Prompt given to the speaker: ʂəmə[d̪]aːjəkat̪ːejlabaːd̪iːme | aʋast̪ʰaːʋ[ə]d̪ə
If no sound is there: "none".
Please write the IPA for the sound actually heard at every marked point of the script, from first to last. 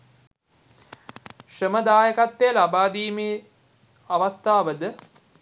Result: d̪, ə

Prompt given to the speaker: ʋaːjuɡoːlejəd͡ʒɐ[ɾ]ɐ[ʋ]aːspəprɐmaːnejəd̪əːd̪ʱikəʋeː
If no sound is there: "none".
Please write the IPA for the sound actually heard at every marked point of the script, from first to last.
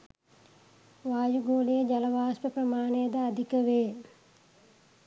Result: l, ʋ

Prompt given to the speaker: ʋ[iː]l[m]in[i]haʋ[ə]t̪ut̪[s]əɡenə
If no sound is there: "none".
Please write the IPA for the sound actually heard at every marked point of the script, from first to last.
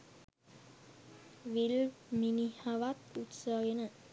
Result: i, m, i, a, s

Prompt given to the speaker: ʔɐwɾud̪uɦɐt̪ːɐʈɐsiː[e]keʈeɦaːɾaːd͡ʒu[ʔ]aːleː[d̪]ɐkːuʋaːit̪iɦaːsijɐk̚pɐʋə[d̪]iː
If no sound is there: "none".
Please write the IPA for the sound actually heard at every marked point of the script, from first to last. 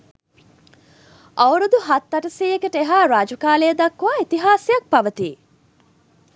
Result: e, k, d̪, t̪

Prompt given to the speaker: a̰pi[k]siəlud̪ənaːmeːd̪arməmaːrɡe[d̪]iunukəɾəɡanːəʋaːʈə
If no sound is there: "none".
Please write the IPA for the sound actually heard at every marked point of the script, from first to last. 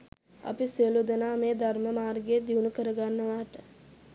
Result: none, d̪

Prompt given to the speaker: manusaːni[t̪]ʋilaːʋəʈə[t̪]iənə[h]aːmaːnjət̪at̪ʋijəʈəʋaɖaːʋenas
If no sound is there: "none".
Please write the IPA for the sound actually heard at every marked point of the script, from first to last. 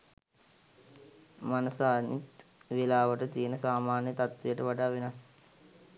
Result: t̪, t̪, s

